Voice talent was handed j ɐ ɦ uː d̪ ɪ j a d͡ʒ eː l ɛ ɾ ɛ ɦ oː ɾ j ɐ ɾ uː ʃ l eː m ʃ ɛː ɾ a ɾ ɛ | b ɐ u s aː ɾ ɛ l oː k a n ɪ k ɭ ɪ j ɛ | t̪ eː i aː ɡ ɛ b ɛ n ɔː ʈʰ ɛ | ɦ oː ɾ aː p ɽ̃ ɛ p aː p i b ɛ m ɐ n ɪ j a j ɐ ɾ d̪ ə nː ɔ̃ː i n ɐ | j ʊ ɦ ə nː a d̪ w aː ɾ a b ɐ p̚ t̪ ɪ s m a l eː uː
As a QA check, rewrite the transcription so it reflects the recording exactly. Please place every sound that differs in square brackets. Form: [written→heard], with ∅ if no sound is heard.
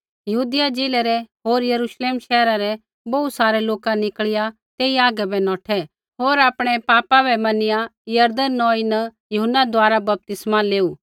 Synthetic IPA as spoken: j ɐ ɦ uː d̪ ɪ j a d͡ʒ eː l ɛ ɾ ɛ ɦ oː ɾ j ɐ ɾ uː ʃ l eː m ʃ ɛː ɾ a ɾ ɛ | b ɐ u s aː ɾ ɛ l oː k a n ɪ k ɭ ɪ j [ɛ→a] | t̪ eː i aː ɡ ɛ b ɛ n ɔː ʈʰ ɛ | ɦ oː ɾ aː p ɽ̃ ɛ p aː p [i→a] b ɛ m ɐ n ɪ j a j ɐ ɾ d̪ ə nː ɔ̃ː i n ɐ | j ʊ ɦ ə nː a d̪ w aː ɾ a b ɐ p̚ t̪ ɪ s m a l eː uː